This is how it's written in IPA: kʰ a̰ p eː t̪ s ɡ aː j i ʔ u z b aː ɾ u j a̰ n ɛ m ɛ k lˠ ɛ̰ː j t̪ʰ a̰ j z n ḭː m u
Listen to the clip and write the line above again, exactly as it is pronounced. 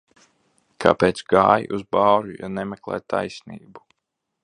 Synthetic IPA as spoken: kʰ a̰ p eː t̪ s ɡ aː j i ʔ u z b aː ɾ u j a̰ n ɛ m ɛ k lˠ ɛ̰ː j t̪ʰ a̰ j s n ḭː b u